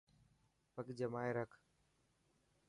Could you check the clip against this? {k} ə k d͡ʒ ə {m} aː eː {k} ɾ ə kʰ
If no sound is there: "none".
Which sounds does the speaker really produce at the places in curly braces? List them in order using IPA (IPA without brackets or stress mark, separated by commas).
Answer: p, m, none